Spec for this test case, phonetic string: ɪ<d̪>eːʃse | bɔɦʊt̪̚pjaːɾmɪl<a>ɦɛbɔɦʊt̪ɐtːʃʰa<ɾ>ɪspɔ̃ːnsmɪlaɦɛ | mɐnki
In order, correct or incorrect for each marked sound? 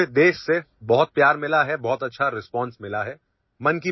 correct, correct, correct

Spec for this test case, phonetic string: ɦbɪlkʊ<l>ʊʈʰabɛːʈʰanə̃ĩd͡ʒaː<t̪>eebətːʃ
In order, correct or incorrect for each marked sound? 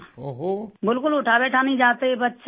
correct, correct

